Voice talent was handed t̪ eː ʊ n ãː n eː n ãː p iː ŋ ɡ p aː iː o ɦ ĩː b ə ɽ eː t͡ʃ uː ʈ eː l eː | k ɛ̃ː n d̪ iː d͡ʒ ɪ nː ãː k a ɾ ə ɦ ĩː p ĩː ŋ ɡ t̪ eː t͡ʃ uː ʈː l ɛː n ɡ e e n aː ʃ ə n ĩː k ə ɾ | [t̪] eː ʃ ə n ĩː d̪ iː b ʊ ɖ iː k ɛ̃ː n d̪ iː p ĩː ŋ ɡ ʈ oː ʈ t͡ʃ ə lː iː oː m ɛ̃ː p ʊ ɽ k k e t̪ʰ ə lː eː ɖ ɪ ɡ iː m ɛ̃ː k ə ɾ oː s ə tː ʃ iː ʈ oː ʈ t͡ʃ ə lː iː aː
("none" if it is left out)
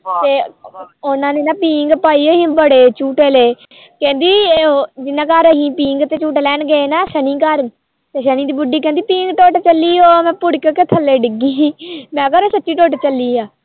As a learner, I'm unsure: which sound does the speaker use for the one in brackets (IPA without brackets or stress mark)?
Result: t̪